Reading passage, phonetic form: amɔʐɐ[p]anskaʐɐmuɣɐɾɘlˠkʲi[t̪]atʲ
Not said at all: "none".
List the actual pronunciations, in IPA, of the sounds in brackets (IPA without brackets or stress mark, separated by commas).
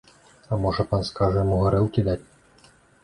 p, d̪